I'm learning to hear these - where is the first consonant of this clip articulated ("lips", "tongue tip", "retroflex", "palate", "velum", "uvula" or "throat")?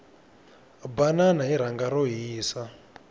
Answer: lips